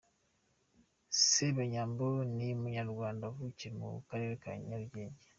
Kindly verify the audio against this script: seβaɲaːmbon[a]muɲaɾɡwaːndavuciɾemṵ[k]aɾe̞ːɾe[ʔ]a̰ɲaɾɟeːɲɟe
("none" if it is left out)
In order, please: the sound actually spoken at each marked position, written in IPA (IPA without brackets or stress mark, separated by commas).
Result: i, k, k